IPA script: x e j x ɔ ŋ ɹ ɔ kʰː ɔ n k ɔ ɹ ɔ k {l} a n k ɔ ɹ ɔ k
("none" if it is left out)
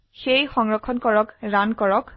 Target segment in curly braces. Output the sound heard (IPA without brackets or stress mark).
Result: ɹ